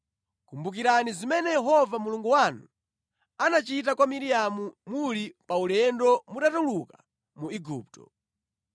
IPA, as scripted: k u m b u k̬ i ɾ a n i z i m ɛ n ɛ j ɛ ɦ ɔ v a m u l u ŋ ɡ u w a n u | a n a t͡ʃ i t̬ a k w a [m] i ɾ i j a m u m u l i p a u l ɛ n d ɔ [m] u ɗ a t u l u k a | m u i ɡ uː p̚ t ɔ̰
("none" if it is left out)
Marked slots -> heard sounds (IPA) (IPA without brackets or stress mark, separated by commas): m, m